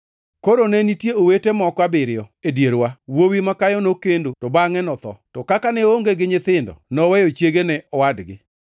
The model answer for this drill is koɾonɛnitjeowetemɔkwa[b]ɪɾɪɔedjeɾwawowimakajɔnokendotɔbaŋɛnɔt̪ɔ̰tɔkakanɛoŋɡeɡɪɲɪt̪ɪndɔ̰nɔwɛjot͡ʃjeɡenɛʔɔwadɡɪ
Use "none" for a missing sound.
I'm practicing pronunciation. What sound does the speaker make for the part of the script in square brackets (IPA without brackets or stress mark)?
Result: b